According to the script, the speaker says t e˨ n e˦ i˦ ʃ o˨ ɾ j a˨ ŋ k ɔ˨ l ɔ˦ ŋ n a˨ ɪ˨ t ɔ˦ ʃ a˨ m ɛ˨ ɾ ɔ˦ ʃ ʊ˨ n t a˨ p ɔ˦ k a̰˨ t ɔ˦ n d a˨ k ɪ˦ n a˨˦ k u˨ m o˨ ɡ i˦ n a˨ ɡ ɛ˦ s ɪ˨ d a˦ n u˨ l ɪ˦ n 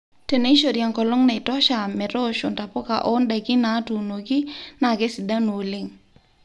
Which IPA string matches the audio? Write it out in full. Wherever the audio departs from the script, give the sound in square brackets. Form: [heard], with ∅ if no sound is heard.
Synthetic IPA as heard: t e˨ n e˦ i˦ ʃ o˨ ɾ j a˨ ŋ k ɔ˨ l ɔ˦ ŋ n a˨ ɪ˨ t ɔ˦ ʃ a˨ m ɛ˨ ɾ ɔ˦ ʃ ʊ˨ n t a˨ p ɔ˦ k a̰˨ [ʔ] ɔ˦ n d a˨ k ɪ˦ n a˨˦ [t] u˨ [n] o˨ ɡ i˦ n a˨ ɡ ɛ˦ s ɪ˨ d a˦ n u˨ l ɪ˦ [ŋ]